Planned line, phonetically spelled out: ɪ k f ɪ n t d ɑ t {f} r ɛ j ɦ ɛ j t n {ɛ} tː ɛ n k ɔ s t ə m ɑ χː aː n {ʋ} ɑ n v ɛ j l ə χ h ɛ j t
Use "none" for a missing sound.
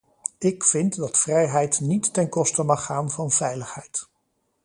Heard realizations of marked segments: f, i, v

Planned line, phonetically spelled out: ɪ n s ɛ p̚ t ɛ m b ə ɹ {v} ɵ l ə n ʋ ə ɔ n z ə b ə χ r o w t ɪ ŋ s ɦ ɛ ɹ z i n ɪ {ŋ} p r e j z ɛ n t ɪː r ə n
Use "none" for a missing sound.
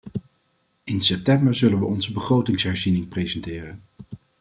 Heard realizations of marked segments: z, ŋ

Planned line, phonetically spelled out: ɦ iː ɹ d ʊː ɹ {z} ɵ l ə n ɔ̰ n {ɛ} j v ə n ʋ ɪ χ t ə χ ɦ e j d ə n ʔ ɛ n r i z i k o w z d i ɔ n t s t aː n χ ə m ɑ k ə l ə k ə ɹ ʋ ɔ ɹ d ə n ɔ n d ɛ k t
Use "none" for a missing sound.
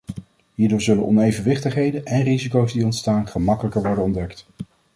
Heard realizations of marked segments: z, e

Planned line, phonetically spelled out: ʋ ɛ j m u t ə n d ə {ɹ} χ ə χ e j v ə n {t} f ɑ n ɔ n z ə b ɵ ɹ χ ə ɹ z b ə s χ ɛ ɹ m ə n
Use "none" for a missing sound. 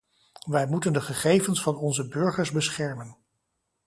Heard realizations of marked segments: none, s

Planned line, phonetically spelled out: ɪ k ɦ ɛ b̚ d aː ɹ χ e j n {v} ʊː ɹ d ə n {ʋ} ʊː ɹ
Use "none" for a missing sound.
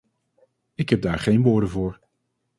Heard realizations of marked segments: ʋ, v

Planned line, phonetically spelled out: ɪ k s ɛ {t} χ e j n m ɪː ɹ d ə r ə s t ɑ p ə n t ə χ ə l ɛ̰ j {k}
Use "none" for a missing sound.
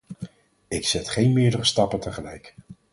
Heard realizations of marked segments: t, k

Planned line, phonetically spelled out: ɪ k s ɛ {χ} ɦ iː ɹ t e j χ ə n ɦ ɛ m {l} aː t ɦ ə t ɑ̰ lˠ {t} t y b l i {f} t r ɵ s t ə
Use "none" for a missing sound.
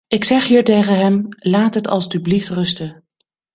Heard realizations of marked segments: χ, l, s, f

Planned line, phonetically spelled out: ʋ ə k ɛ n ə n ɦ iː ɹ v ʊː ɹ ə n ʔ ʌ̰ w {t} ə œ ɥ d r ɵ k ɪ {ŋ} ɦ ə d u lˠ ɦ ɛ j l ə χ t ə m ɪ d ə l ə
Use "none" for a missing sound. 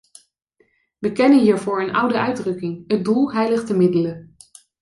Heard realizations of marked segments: d, ŋ

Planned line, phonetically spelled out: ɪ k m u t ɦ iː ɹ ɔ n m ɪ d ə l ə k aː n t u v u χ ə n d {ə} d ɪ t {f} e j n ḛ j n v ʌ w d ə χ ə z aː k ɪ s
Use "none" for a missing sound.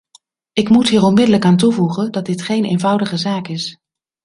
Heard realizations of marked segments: ɑ, χ

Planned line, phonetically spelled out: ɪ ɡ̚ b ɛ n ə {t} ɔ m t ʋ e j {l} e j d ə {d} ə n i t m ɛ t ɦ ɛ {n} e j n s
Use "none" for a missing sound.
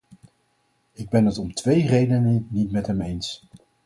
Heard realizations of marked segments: t, r, n, m

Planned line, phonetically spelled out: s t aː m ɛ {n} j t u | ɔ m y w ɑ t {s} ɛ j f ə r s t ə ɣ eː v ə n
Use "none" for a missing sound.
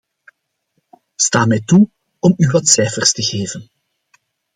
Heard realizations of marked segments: none, s

